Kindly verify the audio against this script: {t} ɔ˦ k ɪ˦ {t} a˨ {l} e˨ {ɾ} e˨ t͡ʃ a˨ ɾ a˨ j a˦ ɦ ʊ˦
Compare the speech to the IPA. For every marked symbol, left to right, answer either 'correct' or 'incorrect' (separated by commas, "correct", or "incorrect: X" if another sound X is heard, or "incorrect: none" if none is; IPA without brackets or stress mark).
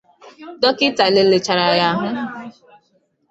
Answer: incorrect: d, correct, correct, incorrect: l